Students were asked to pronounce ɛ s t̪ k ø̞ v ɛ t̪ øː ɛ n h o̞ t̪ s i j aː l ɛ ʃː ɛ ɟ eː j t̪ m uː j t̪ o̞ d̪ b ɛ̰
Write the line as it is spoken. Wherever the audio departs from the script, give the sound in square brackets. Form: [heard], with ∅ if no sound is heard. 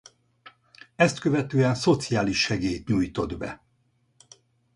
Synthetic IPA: ɛ s t̪ k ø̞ v ɛ t̪ øː ɛ n [s] o̞ t̪ s i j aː l [i] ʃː ɛ [ɡ] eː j t̪ [ɲ] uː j t̪ o̞ d̪ b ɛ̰